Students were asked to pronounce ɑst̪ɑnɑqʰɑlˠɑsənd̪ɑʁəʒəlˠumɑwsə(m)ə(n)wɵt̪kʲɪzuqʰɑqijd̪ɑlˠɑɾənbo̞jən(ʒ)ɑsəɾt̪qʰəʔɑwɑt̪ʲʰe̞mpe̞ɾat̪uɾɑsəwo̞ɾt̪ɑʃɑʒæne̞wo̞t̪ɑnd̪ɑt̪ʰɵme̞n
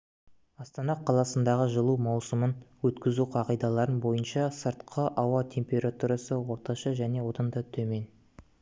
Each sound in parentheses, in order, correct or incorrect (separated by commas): correct, correct, incorrect